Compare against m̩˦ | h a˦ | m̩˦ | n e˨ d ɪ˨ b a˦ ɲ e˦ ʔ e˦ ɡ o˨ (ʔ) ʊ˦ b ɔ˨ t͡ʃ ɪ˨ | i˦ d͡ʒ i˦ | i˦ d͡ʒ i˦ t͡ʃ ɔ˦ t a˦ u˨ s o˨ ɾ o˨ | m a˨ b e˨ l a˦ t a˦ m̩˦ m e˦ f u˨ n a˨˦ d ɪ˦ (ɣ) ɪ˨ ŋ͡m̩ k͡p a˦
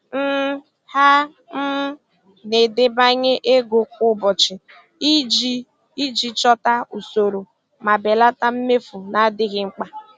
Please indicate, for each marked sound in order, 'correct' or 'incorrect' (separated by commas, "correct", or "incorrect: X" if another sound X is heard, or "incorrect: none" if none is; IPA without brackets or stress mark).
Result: incorrect: k, correct